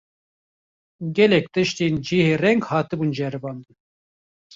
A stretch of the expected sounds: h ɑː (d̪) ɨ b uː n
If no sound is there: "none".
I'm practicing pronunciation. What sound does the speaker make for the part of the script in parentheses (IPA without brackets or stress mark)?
t̪